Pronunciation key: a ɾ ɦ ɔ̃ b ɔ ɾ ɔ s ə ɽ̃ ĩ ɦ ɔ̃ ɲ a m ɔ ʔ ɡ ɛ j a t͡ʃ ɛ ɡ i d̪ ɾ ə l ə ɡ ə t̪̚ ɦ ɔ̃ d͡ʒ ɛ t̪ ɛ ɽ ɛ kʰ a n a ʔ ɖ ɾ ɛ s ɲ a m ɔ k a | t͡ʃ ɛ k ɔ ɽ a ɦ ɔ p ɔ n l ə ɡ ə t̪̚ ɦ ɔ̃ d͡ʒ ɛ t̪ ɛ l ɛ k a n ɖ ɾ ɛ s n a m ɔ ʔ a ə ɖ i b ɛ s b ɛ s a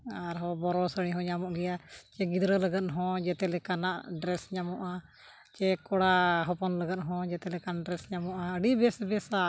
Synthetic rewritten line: a ɾ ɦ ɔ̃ b ɔ ɾ ɔ s ə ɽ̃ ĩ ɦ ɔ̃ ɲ a m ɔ ʔ ɡ ɛ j a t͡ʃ ɛ ɡ i d̪ ɾ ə l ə ɡ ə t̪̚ ɦ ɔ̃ d͡ʒ ɛ t̪ ɛ l ɛ k a n a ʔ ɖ ɾ ɛ s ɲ a m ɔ ʔ a | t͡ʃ ɛ k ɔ ɽ a ɦ ɔ p ɔ n l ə ɡ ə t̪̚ ɦ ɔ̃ d͡ʒ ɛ t̪ ɛ l ɛ k a n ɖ ɾ ɛ s ɲ a m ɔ ʔ a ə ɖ i b ɛ s b ɛ s a